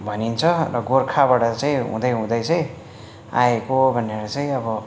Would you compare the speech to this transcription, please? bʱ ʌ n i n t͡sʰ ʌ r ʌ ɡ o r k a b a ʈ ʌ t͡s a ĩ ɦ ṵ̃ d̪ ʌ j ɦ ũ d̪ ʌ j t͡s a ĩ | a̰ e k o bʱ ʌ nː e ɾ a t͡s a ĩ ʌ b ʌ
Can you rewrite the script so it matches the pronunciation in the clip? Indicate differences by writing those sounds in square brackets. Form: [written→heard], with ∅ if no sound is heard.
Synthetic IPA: bʱ ʌ n i n t͡sʰ ʌ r ʌ ɡ o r [k→kʰ] a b a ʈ ʌ t͡s a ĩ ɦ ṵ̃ d̪ ʌ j ɦ ũ d̪ ʌ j t͡s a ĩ | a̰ e k o bʱ ʌ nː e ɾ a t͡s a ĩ ʌ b ʌ